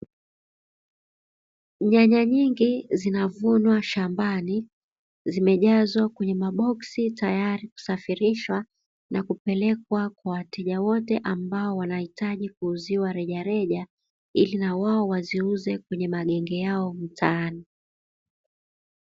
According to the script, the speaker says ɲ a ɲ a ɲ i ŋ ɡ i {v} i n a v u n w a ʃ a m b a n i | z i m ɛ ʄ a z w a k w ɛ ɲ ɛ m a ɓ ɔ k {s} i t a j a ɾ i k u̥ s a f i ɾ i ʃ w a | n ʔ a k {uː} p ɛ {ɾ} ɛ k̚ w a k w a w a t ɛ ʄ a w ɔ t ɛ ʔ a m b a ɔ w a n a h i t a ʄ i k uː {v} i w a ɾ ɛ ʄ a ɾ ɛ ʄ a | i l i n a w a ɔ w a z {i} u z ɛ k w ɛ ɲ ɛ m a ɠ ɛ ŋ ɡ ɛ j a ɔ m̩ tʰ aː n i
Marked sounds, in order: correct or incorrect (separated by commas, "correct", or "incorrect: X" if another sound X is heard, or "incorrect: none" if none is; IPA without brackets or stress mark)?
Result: incorrect: z, correct, incorrect: u, incorrect: l, incorrect: z, correct